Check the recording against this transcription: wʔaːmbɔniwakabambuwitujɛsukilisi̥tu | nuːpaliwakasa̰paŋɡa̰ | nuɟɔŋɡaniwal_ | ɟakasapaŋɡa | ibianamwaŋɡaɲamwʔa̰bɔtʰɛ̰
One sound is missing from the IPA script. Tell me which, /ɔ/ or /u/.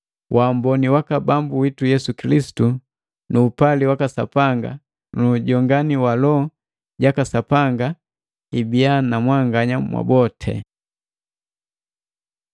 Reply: ɔ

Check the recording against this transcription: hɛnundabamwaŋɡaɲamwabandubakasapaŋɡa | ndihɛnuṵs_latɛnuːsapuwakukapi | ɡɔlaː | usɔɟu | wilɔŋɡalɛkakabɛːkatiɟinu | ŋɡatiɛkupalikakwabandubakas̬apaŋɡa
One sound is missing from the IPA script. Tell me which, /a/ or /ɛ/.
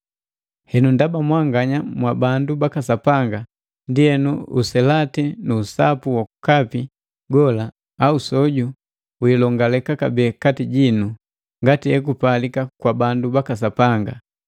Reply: ɛ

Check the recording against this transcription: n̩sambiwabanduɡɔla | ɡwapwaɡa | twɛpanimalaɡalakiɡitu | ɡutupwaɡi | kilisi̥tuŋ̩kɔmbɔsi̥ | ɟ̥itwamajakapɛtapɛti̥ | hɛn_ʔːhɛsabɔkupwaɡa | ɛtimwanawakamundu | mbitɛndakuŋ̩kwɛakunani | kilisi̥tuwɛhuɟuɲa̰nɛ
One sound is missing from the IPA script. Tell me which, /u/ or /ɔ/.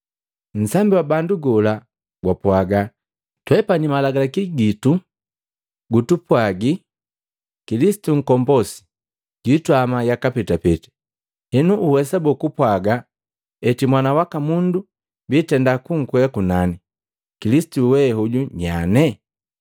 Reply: u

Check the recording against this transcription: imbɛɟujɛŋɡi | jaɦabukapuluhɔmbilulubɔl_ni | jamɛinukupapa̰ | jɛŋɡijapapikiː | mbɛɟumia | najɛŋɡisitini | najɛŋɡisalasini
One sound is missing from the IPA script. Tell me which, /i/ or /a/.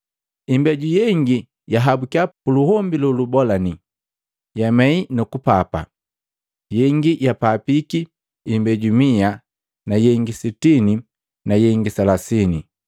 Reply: a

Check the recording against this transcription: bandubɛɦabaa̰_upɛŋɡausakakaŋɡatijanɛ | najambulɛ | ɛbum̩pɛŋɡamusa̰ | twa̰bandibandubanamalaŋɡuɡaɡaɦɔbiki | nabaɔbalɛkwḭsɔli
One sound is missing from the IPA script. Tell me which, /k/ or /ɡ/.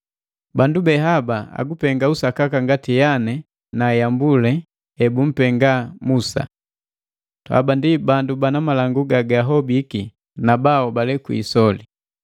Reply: ɡ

